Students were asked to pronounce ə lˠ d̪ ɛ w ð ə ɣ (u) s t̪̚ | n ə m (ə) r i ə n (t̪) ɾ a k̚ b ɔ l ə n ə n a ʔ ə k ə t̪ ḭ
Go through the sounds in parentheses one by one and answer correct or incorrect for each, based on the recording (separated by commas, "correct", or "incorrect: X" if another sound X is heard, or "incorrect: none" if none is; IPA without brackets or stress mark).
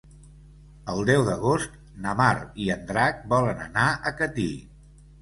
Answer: incorrect: o, incorrect: a, incorrect: d̪